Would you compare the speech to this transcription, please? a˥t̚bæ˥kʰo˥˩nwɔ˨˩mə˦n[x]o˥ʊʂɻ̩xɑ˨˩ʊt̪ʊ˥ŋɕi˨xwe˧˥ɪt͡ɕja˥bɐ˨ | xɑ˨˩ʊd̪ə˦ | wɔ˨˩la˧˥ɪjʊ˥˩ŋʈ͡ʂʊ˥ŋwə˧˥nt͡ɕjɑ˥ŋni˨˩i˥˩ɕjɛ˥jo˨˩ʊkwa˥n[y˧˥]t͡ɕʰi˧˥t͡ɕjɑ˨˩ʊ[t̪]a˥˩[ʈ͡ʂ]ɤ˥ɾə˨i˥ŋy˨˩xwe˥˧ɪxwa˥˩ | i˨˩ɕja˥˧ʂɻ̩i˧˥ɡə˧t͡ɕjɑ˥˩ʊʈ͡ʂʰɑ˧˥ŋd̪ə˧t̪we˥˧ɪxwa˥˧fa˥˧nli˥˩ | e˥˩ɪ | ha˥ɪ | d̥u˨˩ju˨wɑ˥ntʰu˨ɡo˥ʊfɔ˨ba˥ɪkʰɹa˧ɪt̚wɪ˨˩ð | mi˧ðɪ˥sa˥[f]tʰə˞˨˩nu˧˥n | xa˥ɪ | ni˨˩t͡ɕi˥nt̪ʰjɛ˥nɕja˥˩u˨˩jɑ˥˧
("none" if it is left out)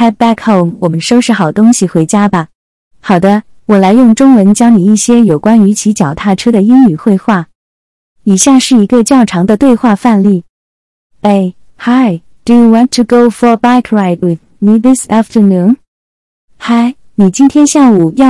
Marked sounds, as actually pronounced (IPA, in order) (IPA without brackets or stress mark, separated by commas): ʂ, y˧˥, t̪ʰ, ʈ͡ʂʰ, f